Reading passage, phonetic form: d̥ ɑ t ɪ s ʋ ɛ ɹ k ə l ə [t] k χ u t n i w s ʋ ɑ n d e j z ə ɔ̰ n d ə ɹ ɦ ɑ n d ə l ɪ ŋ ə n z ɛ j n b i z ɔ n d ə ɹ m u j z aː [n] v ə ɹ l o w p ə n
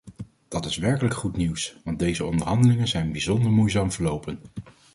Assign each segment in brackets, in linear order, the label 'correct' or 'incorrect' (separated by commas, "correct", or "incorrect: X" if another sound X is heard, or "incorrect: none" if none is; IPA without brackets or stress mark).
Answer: incorrect: none, incorrect: m